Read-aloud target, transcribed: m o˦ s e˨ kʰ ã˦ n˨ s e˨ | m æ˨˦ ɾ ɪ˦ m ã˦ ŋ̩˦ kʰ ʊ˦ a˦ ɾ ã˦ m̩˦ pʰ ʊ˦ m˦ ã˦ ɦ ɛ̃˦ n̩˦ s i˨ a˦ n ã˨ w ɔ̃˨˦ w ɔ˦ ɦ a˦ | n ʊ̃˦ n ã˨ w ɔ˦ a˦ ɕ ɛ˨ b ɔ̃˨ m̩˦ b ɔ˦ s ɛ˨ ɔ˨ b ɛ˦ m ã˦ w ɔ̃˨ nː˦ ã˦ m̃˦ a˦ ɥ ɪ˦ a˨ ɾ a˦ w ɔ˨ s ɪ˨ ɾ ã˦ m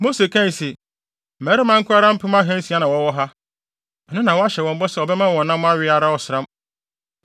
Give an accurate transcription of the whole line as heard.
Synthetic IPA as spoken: m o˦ s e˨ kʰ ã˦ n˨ s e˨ | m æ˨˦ ɾ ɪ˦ m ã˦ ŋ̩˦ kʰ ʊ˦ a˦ ɾ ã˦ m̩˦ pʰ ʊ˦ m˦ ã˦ ɦ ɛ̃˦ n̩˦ s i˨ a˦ n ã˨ w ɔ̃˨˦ w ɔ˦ ɦ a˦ | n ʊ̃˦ n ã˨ w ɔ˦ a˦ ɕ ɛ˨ w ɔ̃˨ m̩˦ b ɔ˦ s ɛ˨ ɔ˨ b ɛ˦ m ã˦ w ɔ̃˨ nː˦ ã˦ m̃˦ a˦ ɥ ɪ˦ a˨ ɾ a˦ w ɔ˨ s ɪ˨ ɾ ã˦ m

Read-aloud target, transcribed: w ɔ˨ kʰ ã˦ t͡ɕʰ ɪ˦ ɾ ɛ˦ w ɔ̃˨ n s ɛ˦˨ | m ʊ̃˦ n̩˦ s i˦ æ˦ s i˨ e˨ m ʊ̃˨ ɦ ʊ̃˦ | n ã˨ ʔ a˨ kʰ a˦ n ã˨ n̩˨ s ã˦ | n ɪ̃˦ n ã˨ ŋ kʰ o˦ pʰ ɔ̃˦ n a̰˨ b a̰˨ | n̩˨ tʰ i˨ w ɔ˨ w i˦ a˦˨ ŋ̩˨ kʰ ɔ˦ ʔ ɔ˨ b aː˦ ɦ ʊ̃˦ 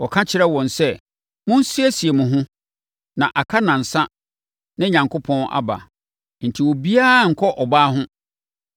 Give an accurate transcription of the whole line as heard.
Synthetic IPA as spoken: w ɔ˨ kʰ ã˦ t͡ɕʰ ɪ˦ ɾ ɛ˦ w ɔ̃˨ n s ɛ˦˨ | m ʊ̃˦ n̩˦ s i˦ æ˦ s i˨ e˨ m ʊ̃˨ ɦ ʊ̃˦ | n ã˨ ʔ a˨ kʰ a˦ n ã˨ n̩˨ s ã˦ | n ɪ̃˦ ɲ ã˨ ŋ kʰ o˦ pʰ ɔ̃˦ n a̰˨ b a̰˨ | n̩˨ tʰ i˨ w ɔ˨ b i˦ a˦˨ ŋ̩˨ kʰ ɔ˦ ʔ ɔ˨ b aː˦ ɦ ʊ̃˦

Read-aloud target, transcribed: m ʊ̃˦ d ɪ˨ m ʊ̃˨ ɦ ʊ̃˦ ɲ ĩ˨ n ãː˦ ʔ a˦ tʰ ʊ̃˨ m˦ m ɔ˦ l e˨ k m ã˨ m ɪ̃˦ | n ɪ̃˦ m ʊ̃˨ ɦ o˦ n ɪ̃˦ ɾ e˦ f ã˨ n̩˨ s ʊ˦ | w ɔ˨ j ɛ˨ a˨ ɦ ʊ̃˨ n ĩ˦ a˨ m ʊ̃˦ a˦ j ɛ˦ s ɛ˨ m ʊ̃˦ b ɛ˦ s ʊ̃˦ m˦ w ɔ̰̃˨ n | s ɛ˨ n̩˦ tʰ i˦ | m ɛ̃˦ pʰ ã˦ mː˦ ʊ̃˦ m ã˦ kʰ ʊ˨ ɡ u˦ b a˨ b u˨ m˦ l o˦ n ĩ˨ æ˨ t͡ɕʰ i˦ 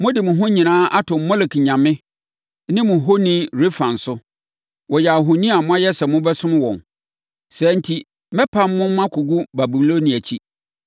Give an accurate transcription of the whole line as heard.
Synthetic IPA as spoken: m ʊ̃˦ d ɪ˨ m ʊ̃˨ ɦ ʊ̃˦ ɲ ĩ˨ n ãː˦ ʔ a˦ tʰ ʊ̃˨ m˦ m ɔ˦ l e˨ k ɲ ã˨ m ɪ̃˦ | n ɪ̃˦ m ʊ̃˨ ɦ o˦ n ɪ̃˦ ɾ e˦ f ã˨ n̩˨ s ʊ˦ | w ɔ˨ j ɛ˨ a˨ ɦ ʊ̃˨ n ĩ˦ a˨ m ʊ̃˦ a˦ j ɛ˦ s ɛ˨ m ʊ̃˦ b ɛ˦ s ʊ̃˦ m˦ w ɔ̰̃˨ n | s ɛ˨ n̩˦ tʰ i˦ | m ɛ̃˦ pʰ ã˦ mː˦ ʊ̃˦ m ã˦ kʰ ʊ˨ ɡ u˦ b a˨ b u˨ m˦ l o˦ n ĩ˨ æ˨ t͡ɕʰ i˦

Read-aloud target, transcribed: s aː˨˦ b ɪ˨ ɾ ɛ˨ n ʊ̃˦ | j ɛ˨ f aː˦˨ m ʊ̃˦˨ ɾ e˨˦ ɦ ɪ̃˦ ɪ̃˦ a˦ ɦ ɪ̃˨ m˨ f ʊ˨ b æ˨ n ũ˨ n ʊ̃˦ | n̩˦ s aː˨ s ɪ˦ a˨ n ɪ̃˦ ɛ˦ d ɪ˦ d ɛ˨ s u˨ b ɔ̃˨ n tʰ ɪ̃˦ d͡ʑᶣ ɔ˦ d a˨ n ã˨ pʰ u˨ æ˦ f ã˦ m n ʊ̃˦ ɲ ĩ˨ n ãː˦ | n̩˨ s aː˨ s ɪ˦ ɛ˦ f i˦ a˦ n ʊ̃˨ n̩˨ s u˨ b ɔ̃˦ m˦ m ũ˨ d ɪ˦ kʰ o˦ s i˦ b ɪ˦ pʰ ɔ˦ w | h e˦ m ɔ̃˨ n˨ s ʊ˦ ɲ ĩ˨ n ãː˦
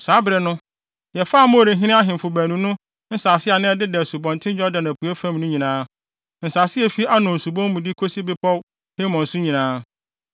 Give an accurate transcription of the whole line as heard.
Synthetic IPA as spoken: s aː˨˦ b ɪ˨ ɾ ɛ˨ n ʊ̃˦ | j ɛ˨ f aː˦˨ m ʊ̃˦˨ ɾ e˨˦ ɦ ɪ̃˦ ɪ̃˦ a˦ ɦ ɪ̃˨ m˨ f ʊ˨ b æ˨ n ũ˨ n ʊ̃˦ | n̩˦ s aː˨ s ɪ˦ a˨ n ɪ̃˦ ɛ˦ d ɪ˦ d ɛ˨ s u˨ b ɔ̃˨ n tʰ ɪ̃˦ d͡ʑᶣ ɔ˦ d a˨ n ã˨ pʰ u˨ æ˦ f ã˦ m n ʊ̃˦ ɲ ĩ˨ n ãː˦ | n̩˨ s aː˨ s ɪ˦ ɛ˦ f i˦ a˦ n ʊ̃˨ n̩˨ s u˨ b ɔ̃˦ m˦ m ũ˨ d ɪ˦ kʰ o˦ s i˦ b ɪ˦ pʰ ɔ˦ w | h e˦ m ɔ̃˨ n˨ s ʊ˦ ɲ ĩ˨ n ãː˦

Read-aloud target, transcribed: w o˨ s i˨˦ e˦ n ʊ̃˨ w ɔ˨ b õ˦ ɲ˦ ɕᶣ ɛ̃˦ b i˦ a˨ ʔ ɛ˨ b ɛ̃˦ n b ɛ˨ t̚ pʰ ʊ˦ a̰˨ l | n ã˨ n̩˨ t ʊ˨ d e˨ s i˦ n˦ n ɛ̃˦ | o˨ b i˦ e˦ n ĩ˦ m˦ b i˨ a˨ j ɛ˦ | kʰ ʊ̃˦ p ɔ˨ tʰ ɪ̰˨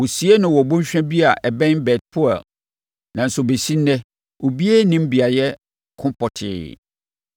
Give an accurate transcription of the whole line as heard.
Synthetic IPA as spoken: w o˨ s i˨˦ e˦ n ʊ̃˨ w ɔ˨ b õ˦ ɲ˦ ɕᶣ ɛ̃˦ b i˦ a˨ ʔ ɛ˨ b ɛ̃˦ n b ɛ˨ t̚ pʰ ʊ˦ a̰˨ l | n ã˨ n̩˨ s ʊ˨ b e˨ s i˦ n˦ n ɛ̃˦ | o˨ b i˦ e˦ n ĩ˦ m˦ b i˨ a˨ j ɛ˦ | kʰ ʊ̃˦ p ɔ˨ tʰ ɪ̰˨

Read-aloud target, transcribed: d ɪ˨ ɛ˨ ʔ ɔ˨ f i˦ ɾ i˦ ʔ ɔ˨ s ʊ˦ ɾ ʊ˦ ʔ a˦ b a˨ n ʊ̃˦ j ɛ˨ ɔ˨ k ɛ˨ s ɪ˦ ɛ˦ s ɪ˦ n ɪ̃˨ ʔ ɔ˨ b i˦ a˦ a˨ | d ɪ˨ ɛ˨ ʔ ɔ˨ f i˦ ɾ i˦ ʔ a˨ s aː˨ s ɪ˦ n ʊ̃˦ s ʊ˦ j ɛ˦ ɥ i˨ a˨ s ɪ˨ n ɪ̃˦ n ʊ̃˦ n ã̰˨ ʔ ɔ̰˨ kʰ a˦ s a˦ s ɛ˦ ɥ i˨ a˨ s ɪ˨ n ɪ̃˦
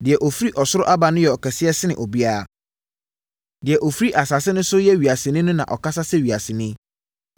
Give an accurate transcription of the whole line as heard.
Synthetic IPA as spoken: d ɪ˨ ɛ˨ ʔ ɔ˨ f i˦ ɾ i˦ ʔ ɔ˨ s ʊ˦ ɾ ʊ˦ ʔ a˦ b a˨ n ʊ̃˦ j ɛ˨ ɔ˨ k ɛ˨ s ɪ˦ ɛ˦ s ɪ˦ n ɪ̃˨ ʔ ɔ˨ b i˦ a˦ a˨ | d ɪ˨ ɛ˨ ʔ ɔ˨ f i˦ ɾ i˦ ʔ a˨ s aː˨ s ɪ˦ n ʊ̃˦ s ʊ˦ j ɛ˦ ɥ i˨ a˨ s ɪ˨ n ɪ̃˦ n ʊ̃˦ n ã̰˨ ʔ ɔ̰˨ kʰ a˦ s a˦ s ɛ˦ ɥ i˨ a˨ s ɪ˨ n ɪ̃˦

